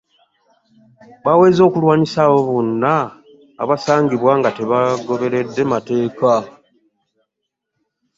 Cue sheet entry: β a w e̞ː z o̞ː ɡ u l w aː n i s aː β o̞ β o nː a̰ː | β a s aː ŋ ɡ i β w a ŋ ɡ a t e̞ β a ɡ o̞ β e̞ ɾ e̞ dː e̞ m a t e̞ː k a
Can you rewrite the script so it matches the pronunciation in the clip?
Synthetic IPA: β a w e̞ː z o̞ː k u l w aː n i s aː β o̞ β o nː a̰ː | β a s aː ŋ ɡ i β w a ŋ ɡ a t e̞ β a ɡ o̞ β e̞ ɾ e̞ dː e̞ m a t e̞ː k a